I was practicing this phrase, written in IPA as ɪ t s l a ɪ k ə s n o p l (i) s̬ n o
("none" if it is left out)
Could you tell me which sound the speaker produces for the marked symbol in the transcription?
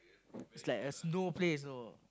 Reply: e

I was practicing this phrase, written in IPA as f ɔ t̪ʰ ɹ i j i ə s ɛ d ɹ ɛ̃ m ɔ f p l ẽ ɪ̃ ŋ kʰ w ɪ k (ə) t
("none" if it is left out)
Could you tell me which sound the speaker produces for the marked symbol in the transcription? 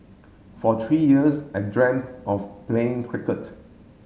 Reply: ə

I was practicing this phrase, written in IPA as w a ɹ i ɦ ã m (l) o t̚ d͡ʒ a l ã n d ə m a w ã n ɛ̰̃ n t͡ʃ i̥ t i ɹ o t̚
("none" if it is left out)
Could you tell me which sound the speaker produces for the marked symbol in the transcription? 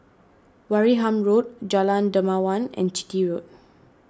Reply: ɹ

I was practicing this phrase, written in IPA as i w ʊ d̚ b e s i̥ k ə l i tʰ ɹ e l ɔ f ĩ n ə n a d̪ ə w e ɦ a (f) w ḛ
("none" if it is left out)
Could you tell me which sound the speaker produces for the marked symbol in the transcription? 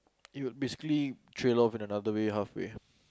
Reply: f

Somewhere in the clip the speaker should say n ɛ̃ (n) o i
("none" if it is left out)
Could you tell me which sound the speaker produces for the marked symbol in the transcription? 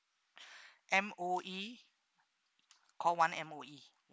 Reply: m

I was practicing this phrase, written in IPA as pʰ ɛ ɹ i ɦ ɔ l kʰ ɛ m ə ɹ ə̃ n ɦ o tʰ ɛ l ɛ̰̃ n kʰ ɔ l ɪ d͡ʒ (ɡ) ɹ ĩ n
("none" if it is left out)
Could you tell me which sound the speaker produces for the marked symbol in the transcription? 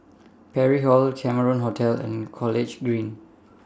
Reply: ɡ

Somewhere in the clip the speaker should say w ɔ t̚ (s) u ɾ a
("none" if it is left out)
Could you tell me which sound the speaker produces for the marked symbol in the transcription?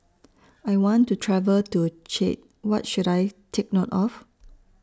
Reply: ʃ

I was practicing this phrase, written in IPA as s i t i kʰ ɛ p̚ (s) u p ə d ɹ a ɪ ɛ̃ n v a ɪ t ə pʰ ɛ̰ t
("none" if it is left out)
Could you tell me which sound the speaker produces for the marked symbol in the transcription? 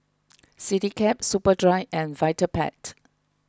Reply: s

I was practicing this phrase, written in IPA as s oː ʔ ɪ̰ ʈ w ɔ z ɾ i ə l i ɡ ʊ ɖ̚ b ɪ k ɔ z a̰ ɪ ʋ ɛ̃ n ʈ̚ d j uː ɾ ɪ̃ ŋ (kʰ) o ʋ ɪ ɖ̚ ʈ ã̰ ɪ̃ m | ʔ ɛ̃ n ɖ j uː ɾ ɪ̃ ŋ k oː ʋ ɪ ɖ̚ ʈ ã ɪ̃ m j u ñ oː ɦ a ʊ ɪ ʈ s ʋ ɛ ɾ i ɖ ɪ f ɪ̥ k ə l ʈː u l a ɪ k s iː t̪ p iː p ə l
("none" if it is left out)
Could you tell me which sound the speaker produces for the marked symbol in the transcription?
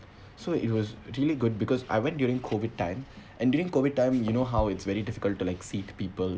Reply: kʰ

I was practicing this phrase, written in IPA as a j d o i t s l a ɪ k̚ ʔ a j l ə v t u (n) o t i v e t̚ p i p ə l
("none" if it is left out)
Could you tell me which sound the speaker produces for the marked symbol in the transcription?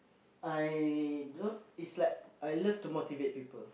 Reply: m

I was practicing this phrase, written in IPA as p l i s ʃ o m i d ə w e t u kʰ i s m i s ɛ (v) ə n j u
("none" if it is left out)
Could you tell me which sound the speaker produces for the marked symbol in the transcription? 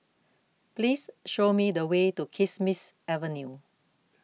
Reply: v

